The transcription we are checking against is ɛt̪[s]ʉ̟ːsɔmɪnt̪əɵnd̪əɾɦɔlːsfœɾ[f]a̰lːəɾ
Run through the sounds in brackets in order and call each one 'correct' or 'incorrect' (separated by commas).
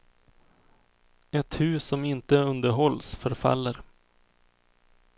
incorrect, correct